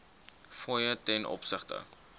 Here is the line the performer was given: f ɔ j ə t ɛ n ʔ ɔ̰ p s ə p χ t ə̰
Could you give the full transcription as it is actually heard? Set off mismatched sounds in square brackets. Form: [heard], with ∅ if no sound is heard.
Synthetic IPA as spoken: f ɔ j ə t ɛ n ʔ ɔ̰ p s ə [∅] χ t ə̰